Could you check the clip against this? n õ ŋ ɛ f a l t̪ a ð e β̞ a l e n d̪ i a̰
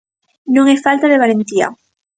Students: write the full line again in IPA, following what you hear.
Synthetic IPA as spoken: n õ ŋ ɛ f a l t̪ a ð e β̞ a l e n t̪ i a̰